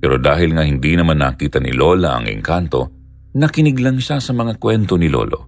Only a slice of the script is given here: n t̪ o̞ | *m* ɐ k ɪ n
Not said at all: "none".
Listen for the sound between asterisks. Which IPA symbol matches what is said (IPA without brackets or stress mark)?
n